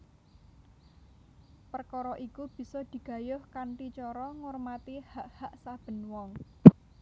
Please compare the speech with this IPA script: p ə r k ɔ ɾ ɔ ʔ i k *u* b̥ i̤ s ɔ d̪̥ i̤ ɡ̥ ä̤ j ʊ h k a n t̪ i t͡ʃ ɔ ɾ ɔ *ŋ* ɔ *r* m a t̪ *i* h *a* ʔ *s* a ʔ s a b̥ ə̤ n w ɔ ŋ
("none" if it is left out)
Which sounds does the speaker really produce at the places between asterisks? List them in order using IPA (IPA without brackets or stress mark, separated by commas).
u, ŋ, r, i, a, h